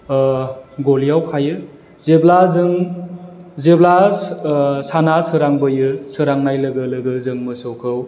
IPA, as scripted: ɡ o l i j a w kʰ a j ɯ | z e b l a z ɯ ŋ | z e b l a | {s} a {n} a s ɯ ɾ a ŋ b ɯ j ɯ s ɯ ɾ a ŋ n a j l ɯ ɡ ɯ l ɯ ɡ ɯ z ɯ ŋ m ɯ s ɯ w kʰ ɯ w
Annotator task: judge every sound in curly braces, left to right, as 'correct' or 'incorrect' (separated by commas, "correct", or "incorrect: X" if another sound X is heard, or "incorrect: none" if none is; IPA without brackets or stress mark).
correct, correct